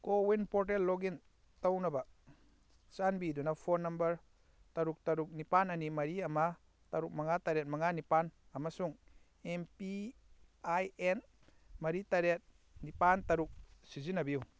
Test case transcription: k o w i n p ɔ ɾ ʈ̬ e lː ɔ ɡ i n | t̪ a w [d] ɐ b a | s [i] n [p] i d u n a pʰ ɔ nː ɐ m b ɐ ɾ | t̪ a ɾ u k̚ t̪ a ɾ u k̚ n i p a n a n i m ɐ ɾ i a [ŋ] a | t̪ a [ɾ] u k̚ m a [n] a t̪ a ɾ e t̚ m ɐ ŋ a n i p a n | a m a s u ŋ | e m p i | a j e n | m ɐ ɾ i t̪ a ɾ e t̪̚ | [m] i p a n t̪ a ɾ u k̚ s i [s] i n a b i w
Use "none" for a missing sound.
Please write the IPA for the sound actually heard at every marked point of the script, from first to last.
n, a, b, m, ɾ, ŋ, n, z

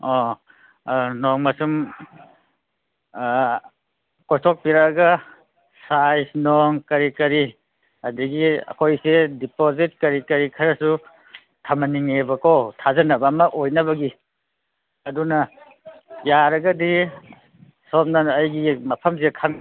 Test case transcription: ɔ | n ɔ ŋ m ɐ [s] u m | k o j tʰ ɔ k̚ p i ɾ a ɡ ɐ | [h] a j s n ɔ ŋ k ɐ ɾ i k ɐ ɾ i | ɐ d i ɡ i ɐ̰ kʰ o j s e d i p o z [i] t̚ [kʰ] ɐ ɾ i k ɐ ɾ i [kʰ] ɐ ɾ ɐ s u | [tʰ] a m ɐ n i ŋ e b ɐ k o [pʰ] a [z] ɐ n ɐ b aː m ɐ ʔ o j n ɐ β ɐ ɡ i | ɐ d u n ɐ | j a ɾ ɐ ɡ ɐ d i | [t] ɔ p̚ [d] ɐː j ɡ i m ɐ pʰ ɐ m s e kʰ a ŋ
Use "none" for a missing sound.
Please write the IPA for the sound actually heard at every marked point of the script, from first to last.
s, s, i, k, kʰ, tʰ, tʰ, z, s, n

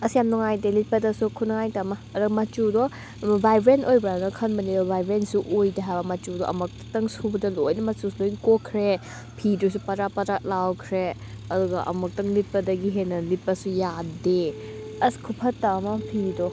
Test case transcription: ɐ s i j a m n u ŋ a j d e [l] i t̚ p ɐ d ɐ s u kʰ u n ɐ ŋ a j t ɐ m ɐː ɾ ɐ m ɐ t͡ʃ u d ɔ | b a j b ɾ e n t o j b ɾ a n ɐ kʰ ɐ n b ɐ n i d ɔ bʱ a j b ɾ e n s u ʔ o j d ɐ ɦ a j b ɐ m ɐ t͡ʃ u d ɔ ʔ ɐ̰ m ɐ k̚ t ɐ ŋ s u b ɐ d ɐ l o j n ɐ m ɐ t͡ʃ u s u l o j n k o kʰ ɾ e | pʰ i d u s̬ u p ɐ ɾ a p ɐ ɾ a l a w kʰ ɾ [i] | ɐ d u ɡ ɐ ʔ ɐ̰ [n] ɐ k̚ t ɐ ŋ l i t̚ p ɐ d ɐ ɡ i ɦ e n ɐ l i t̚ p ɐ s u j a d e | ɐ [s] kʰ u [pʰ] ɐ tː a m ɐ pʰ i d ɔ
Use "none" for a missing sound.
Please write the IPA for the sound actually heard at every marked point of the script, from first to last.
l, e, m, s, pʰ

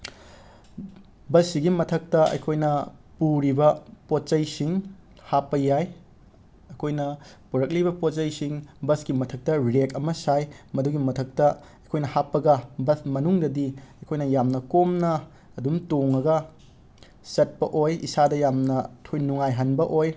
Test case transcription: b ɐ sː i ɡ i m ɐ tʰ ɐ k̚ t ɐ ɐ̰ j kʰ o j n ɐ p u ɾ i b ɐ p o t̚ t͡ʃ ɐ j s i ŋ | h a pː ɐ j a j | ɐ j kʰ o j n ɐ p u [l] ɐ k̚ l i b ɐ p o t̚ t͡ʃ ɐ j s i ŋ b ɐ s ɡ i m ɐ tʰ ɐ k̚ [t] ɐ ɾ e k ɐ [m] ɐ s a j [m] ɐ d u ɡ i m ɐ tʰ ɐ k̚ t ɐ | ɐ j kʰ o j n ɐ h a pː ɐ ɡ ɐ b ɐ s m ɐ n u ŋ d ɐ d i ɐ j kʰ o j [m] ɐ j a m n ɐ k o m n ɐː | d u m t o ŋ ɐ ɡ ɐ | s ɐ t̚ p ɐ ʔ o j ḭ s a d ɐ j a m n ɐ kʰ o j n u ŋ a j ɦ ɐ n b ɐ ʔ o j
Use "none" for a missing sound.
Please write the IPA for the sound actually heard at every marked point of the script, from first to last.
ɾ, t, m, m, n

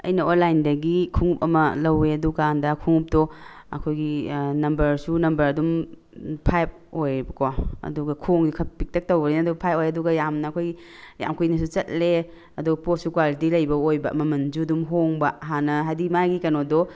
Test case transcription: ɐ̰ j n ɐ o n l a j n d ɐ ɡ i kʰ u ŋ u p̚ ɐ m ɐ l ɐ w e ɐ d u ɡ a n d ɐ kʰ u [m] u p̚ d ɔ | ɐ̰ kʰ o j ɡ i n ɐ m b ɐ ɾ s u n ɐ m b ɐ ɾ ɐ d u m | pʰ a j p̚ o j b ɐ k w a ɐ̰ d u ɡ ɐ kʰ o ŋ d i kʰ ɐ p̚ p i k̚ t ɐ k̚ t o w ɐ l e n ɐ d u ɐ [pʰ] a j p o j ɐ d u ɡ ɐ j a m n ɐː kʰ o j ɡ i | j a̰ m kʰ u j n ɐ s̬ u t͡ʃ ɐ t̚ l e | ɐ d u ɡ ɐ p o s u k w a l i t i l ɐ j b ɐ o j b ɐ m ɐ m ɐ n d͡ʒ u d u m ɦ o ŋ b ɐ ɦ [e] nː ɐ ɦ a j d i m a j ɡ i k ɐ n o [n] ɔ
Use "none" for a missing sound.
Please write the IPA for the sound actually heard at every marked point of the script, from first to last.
ŋ, pʰ, a, d

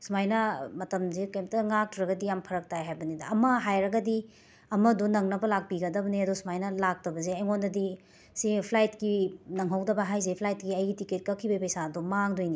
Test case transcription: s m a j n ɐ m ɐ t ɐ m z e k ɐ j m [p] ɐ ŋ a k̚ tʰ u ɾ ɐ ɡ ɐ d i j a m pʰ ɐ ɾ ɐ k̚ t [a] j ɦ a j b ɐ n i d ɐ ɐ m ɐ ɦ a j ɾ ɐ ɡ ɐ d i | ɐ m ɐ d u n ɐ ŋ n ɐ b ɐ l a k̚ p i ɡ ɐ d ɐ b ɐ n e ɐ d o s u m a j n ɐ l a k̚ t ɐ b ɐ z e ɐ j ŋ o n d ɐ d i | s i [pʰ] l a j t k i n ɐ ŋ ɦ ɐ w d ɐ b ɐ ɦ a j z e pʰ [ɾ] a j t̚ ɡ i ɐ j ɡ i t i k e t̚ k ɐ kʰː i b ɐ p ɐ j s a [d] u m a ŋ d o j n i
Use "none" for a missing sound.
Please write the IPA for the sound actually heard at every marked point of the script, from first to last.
t, a, pʰ, l, d

